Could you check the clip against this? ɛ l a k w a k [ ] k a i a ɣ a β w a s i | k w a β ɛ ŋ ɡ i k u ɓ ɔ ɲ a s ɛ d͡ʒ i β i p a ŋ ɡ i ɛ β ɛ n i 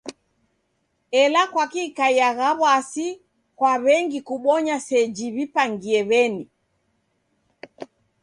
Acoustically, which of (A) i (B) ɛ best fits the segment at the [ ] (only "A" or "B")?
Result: A